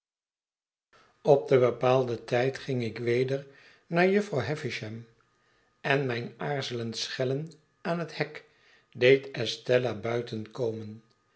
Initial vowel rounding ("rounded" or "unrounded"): rounded